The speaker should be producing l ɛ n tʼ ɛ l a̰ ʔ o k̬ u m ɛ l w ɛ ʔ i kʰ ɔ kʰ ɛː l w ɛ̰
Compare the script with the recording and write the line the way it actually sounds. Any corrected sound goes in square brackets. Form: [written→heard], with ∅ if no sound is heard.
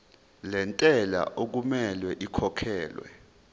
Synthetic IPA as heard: l ɛ n tʼ ɛ l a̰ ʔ o k̬ u m ɛ l w ɛ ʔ i kʰ ɔ kʰ ɛː l w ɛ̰